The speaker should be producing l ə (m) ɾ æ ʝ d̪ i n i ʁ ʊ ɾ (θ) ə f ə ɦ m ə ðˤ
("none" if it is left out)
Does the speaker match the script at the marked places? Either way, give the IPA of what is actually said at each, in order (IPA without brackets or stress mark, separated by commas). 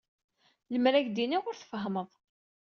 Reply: m, θ